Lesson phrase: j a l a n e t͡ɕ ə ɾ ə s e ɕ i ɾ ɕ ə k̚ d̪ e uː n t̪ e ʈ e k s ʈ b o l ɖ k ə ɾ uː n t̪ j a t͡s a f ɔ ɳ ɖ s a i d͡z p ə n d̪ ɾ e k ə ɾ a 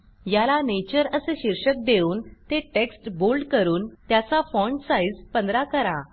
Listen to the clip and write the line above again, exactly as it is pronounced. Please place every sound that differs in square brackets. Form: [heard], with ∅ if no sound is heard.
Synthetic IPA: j a l a n e t͡ɕ ə ɾ ə s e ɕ i ɾ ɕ ə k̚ d̪ e uː n t̪ e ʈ e k s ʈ b o l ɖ k ə ɾ uː n t̪ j a t͡s a f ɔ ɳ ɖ s a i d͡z p ə n d̪ ɾ [a] k ə ɾ a